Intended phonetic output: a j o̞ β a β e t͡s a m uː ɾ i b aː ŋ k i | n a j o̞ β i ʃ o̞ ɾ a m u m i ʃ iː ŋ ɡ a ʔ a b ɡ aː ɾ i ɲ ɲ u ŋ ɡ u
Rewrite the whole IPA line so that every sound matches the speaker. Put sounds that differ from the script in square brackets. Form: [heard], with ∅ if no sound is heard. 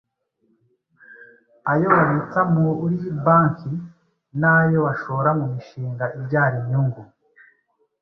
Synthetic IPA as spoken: a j o̞ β a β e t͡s a m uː ɾ i b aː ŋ k i | n a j o̞ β [a] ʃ o̞ ɾ a m u m i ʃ iː ŋ ɡ a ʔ [i] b [ɟ] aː ɾ i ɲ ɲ u ŋ ɡ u

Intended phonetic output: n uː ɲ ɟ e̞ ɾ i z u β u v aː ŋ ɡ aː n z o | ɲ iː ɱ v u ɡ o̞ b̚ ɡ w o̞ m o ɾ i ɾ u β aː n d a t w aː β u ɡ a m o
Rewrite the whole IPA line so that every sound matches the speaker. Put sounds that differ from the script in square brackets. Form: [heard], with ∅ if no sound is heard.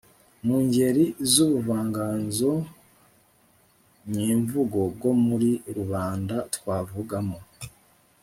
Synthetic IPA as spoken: [m] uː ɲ ɟ e̞ ɾ i z u β u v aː ŋ ɡ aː n z o | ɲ iː ɱ v u ɡ o̞ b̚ ɡ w o̞ m [u] ɾ i ɾ u β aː n d a t w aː [v] u ɡ a m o

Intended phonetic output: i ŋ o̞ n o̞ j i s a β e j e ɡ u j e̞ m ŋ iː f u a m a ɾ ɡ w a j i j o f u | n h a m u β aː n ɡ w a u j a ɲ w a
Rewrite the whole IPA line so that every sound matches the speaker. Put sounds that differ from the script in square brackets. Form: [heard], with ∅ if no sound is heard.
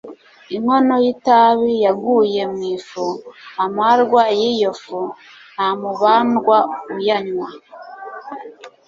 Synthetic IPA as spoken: i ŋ o̞ n o̞ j i [t] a β [i] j [a] ɡ u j e̞ m ŋ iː f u a m a ɾ ɡ w a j i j o f u | n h a m u β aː n ɡ w a u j a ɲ w a

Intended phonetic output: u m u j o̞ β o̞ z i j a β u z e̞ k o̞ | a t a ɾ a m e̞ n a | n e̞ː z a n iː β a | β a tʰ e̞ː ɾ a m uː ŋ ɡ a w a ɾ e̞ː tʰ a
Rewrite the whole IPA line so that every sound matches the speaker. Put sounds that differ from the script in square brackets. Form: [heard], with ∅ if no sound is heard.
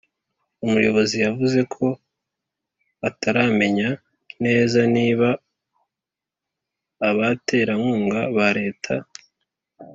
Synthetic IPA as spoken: u m u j o̞ β o̞ z i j a [v] u z e̞ [kʰ] o̞ | a t a ɾ a m e̞ [ɲ] a | n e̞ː z a n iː β a | β a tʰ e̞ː ɾ a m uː ŋ ɡ a [β] a ɾ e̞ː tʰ a

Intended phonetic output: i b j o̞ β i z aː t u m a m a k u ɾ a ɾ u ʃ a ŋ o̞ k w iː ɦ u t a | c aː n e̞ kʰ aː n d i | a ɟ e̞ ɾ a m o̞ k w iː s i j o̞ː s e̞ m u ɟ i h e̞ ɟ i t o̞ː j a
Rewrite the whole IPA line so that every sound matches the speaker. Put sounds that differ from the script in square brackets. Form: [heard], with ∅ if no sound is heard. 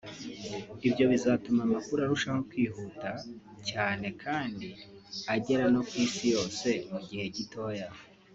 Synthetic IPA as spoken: i b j o̞ β i z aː t u m a m a k u ɾ a ɾ u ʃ a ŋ o̞ k w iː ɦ u t a | c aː n e̞ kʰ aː n d i | a ɟ e̞ ɾ a [n] o̞ k w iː s i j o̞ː s e̞ m u ɟ i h e̞ ɟ i t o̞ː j a

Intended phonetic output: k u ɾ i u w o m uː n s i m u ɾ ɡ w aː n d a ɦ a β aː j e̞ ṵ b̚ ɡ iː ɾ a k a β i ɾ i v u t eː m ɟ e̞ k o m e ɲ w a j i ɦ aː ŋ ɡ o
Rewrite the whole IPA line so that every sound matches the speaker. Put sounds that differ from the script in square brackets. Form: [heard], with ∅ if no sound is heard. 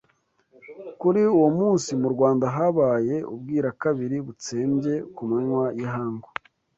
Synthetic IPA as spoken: k u ɾ i u w o m uː n s i m u ɾ ɡ w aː n d a ɦ a β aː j e̞ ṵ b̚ ɡ iː ɾ a k a β i ɾ i [β] u [t͡s] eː m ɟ e̞ k [u] m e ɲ w a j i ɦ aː ŋ ɡ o

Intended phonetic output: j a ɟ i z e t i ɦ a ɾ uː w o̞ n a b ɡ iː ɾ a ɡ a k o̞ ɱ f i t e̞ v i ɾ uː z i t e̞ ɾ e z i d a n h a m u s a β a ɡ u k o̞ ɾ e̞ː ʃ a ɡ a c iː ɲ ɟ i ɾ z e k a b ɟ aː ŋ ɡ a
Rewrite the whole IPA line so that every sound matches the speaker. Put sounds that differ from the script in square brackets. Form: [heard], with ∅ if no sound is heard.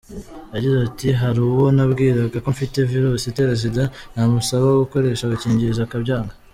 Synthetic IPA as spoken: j a ɟ i z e t i ɦ a ɾ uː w o̞ n a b ɡ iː ɾ a ɡ a k o̞ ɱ f i t e̞ v i ɾ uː [s] i t e̞ ɾ e z i d a n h a m u s a β a ɡ u k o̞ ɾ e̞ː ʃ a ɡ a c iː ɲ ɟ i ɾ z [a] k a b ɟ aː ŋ ɡ a

